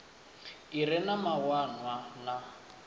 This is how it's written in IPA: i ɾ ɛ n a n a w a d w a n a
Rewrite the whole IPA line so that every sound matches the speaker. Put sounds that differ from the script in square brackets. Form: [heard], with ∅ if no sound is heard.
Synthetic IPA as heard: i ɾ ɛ n a [m] a w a [n] w a n a